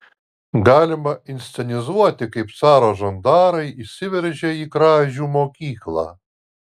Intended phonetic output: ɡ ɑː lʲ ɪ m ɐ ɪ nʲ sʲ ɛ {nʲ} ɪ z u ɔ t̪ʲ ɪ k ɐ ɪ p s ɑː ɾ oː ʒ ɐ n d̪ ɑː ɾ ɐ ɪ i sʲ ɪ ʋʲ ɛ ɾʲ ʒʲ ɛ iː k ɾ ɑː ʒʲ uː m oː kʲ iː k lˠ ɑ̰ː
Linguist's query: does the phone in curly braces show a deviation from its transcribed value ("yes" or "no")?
no